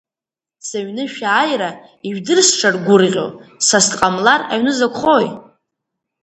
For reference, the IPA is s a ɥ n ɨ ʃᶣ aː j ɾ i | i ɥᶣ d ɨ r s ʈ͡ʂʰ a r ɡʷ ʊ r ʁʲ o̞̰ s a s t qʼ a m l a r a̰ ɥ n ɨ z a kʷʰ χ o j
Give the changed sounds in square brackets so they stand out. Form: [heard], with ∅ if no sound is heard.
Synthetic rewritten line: s a ɥ n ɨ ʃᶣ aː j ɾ [a] | i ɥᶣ d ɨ r s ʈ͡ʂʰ a r ɡʷ ʊ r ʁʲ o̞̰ s a s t qʼ a m l a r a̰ ɥ n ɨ z a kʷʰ χ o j